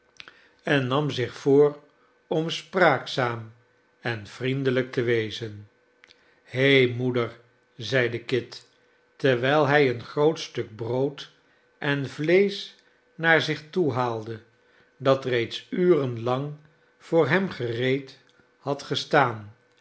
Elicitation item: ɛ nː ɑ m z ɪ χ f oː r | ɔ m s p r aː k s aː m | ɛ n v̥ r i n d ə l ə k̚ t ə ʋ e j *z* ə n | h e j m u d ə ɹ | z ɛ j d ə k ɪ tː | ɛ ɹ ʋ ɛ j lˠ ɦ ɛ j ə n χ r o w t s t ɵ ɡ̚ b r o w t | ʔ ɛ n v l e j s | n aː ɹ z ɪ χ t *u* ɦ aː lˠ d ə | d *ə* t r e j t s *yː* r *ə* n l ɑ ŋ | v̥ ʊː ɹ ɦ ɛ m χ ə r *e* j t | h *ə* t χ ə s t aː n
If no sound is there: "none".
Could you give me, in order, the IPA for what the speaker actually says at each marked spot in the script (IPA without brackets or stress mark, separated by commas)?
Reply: z, u, ɑ, yː, ə, e, ɑ